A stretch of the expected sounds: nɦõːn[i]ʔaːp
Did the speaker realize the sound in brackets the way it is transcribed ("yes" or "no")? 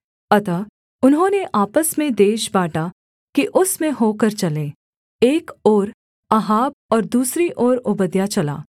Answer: no